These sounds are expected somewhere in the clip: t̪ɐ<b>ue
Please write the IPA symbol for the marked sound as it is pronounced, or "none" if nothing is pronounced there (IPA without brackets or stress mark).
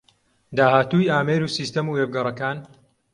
m